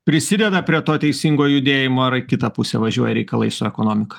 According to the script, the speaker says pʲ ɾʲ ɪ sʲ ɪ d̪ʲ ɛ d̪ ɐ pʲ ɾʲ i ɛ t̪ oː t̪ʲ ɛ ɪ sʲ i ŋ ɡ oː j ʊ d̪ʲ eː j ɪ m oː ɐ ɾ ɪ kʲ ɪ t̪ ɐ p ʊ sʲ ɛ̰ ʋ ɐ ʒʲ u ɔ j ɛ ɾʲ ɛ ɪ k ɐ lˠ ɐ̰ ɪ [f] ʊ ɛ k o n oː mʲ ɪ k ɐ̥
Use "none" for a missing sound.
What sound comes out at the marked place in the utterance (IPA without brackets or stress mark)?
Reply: s